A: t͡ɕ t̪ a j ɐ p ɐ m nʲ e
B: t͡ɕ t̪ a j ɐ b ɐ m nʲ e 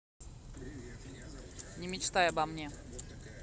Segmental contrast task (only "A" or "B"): B